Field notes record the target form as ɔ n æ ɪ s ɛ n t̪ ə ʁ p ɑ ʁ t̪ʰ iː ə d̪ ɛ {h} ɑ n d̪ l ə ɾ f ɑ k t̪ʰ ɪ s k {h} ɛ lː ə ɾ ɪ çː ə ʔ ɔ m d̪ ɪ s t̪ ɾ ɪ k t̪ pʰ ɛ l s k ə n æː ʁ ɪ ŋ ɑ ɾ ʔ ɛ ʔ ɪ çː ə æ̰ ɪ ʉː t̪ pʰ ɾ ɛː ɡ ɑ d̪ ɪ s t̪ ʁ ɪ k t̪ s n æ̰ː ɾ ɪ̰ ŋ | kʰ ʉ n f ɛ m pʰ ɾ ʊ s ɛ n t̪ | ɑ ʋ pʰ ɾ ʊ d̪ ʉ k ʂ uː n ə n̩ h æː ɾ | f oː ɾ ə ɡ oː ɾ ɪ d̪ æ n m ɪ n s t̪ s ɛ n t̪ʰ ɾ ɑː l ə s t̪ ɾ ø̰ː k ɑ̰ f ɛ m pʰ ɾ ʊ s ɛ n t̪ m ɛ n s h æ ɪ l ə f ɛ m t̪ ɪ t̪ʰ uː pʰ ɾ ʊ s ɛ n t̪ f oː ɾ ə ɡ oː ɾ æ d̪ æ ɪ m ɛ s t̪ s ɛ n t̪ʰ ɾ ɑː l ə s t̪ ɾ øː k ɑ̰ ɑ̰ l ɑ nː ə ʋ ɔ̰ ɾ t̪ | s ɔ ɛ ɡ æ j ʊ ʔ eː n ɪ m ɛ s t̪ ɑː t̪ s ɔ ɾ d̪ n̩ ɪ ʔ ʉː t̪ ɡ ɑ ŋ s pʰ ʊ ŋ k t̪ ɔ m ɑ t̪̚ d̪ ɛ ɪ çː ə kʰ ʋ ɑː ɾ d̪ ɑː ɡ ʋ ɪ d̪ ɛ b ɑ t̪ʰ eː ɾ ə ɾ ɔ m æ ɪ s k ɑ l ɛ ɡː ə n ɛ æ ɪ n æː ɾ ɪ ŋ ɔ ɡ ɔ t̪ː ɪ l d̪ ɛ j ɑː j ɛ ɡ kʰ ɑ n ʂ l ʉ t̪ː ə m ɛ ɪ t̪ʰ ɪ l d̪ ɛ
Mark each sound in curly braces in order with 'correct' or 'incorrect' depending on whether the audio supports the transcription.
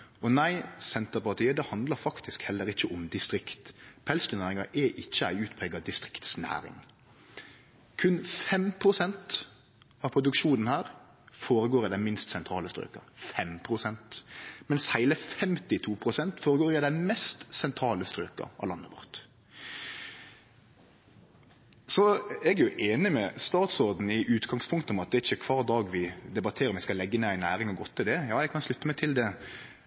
correct, correct

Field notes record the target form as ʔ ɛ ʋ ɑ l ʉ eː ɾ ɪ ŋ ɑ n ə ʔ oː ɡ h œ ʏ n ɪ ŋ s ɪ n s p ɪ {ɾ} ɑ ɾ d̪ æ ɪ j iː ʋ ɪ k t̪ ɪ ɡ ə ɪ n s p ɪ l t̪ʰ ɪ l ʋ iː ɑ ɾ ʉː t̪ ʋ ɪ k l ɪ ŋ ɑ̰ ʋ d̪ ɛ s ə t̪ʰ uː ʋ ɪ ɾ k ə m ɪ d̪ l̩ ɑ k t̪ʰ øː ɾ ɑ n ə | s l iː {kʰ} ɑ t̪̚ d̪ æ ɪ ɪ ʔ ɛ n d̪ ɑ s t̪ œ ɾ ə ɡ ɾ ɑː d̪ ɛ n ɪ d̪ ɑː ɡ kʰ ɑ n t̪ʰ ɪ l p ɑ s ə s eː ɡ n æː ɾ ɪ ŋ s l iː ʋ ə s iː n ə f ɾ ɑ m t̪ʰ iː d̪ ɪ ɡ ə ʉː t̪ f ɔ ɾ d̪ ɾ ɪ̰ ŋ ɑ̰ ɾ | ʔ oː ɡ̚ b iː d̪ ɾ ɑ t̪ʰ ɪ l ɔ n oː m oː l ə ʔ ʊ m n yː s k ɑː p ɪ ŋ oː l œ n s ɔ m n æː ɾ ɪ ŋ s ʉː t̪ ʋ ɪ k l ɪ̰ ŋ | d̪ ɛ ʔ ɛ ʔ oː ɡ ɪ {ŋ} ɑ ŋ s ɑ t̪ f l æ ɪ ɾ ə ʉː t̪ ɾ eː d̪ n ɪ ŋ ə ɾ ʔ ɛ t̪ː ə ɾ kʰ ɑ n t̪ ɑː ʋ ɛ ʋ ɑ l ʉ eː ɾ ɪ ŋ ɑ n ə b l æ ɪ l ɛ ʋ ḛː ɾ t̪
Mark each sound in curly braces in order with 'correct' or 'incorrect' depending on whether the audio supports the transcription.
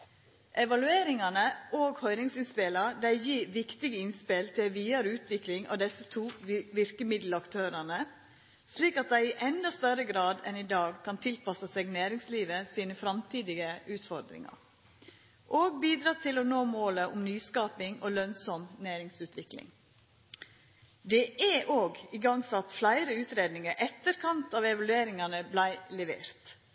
incorrect, incorrect, incorrect

